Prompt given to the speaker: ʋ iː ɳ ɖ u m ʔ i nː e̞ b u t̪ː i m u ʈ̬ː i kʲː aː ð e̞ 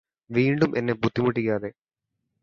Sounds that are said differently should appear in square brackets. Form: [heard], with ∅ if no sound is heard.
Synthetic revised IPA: ʋ iː ɳ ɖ u m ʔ [e] nː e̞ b u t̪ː i m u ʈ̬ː i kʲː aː ð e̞